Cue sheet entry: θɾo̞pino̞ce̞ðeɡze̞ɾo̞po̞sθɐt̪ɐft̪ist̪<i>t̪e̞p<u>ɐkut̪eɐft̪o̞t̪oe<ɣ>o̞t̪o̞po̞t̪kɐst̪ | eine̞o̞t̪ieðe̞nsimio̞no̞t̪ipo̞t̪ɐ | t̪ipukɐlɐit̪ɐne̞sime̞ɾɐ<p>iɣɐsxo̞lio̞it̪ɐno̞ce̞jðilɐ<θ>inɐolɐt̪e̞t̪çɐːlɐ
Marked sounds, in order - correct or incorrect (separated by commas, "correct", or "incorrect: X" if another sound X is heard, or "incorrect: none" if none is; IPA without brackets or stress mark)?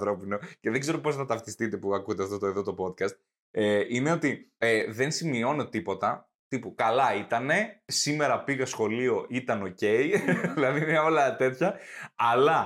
correct, correct, incorrect: ð, correct, incorrect: ð